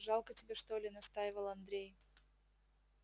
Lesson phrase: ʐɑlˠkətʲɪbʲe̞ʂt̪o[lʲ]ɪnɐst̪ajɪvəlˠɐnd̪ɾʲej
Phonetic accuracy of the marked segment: correct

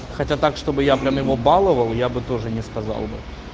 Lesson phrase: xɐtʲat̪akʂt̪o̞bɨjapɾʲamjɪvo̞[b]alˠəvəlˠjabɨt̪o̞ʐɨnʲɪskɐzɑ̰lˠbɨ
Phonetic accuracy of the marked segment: correct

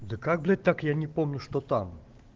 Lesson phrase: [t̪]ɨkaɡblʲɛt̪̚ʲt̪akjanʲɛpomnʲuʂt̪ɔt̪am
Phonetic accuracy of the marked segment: incorrect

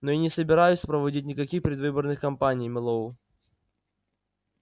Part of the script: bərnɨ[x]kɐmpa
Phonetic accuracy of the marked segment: correct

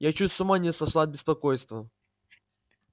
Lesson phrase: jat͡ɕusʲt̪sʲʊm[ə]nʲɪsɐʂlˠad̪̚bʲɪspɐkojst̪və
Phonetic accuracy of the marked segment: incorrect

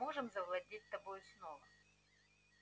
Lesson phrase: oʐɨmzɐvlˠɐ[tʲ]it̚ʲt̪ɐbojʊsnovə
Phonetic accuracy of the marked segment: incorrect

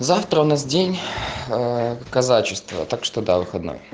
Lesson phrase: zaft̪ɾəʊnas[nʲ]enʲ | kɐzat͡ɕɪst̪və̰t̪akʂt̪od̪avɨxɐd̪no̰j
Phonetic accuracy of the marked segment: incorrect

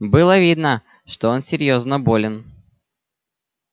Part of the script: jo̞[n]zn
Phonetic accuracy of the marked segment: incorrect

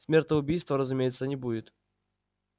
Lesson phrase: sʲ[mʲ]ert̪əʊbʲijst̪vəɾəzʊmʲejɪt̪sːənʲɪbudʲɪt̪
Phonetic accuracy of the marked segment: correct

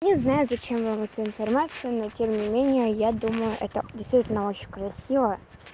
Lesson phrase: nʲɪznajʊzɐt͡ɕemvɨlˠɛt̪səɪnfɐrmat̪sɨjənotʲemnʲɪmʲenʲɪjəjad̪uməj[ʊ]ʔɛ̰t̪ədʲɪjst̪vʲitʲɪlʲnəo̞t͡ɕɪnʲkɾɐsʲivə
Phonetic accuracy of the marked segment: correct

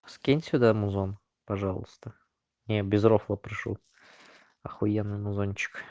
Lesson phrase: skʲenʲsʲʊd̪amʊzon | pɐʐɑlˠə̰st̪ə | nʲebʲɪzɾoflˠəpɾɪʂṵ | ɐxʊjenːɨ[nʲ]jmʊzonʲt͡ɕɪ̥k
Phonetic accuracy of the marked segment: incorrect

